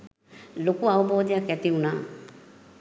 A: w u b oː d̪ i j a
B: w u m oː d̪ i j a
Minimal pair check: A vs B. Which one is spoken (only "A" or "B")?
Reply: A